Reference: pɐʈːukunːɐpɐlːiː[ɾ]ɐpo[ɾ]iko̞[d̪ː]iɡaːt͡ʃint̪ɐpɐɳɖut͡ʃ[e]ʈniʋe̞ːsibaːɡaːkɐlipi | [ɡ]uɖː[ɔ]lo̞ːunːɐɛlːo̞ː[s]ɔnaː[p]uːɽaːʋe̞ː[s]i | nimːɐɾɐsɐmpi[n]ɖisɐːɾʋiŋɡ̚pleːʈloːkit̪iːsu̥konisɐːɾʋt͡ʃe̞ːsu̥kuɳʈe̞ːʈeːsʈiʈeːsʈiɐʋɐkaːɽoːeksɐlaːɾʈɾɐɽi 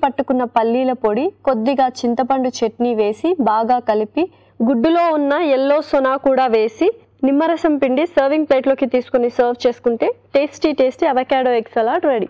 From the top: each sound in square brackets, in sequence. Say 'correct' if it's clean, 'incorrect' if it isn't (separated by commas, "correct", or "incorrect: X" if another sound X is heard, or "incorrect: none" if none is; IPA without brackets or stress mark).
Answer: incorrect: l, incorrect: ɽ, correct, correct, correct, incorrect: u, correct, incorrect: k, correct, incorrect: ɳ